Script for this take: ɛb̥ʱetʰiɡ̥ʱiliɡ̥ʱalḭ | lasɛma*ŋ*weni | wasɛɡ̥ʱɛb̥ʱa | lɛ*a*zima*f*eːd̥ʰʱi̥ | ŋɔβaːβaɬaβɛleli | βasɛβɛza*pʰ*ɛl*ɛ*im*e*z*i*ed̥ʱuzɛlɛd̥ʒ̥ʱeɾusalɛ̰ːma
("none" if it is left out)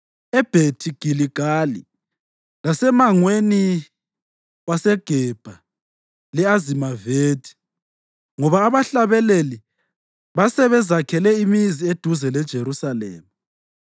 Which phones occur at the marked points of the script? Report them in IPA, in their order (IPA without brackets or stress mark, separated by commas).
ŋ, a, v, kʰ, ɛ, i, i